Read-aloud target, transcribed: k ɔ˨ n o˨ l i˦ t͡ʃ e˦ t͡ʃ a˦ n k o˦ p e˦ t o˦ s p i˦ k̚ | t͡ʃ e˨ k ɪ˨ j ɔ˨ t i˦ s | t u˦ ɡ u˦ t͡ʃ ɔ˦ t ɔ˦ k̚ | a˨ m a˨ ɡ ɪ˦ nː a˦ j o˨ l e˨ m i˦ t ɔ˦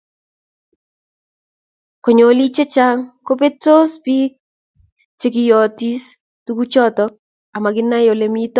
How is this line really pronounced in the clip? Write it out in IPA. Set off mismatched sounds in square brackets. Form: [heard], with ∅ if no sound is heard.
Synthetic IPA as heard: k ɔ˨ [ɲ] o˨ l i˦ t͡ʃ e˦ t͡ʃ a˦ [ŋ] k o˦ p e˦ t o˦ s p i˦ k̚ | t͡ʃ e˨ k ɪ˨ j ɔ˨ t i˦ s | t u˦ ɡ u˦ t͡ʃ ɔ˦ t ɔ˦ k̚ | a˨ m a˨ ɡ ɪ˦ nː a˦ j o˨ l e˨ m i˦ t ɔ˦